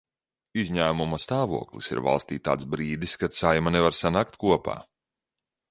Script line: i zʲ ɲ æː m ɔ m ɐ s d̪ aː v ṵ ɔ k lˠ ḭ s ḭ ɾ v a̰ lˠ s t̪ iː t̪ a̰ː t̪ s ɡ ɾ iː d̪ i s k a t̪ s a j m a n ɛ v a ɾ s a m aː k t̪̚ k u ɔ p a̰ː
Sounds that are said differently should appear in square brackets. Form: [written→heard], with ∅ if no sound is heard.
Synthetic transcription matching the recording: i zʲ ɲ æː m [ɔ→u] m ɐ s [d̪→t̪] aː v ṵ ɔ k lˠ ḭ s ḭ ɾ v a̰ lˠ s t̪ iː t̪ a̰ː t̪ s [ɡ→b] ɾ iː d̪ i s k a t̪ s a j m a n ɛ v a ɾ s a [m→n] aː k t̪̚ k u ɔ p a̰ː